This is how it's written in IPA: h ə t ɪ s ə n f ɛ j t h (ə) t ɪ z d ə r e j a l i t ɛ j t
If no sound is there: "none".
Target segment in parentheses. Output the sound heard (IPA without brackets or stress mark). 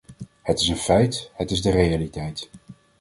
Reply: ə